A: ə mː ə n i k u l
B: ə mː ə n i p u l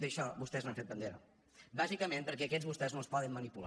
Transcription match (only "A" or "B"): B